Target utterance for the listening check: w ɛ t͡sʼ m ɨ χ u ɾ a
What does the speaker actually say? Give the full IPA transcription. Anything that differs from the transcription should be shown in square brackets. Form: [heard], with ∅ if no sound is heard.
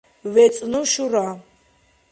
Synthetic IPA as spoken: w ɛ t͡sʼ [n] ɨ [ʃ] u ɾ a

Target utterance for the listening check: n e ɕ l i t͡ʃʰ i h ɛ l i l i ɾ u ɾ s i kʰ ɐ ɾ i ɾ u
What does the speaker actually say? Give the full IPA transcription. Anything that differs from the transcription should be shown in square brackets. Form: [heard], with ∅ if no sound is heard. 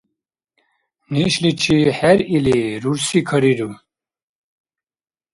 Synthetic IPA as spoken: n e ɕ l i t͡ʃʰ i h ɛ [ɾ] i l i ɾ u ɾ s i kʰ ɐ ɾ i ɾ u

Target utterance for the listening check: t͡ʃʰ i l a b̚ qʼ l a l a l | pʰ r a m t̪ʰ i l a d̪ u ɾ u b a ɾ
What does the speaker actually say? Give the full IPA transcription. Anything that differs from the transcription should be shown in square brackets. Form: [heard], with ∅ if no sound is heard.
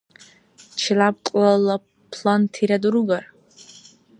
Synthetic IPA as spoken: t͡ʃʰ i l a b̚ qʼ l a l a [∅] | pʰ [l] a [n] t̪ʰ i [ɾ] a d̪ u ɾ u [ɡ] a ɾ

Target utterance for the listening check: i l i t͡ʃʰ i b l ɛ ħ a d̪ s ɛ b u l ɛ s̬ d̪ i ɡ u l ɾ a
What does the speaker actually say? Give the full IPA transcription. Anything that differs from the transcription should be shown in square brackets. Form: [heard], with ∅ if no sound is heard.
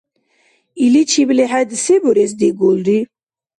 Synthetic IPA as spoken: i l i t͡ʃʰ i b l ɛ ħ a d̪ s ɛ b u [ɾ] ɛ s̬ d̪ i ɡ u l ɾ [i]

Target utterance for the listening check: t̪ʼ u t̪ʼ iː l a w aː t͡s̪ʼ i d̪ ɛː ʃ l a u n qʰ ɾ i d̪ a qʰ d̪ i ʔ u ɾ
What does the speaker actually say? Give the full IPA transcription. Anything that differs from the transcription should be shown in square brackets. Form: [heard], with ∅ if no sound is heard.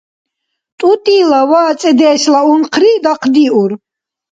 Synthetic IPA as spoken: t̪ʼ u t̪ʼ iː l a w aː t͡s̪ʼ [ɛ] d̪ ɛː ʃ l a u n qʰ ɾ i d̪ a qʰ d̪ i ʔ u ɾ

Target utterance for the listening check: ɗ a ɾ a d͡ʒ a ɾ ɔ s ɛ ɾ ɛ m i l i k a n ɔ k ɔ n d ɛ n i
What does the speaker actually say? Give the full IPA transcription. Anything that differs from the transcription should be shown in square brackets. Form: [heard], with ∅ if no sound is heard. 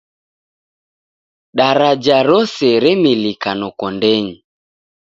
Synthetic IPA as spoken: ɗ a ɾ a d͡ʒ a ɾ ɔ s ɛ ɾ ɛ m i l i k a n ɔ k ɔ n d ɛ [ɲ] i

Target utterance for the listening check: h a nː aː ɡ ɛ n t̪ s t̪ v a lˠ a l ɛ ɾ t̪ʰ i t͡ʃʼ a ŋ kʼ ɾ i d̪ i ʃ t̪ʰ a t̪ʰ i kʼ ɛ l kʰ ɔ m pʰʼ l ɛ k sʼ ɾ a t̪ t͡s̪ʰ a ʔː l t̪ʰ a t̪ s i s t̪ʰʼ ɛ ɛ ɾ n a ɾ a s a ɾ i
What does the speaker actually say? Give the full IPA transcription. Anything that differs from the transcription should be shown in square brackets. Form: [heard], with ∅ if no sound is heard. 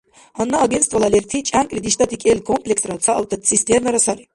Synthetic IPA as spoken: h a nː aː ɡ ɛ n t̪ s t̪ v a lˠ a l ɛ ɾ t̪ʰ i t͡ʃʼ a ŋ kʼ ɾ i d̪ i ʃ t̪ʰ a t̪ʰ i kʼ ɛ l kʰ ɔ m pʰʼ l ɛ k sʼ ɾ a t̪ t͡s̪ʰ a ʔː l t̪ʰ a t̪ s i s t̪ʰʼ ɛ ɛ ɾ n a ɾ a s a ɾ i

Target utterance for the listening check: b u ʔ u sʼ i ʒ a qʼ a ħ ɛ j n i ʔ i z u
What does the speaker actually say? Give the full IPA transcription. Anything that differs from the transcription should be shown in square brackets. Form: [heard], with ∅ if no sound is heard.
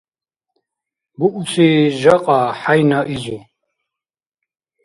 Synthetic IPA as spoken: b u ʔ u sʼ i ʒ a qʼ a ħ [a] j n [a] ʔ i z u

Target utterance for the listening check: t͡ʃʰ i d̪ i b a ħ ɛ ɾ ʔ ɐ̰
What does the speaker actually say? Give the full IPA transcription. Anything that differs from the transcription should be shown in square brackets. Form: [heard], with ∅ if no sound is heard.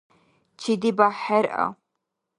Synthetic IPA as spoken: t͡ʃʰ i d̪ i b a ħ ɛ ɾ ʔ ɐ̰

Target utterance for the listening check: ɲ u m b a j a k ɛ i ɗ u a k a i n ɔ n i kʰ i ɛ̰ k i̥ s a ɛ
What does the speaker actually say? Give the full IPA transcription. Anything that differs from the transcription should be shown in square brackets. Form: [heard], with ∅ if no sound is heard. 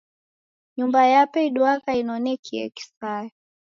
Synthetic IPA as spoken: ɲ u m b a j a [p] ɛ i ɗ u a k a i n ɔ n [ɛ] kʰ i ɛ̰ k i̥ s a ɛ

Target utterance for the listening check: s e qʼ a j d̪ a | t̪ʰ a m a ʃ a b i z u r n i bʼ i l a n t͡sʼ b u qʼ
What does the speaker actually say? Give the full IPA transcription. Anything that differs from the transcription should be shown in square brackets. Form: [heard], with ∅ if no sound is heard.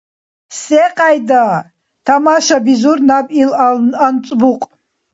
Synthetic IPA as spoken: s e qʼ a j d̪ a | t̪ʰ a m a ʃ a b i z u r n [a] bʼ i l a n t͡sʼ b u qʼ

